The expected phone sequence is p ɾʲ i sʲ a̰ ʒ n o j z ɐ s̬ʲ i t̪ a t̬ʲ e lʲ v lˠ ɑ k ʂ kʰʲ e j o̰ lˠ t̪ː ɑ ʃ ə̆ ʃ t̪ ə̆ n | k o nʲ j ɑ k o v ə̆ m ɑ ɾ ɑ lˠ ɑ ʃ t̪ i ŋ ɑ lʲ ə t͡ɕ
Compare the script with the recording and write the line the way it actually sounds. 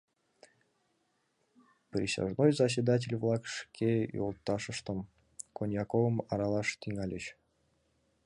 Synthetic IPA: p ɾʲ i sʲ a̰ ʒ n o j z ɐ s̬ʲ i d̪ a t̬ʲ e lʲ v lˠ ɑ k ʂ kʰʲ e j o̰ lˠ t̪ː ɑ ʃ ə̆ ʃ t̪ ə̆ m | k o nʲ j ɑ k o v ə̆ m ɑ ɾ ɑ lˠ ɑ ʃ t̪ i ŋ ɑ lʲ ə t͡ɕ